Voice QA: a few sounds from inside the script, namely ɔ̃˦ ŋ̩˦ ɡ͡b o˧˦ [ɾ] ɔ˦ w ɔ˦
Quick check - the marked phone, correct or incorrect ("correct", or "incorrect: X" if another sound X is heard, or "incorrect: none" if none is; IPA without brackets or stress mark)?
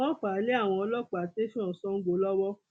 incorrect: l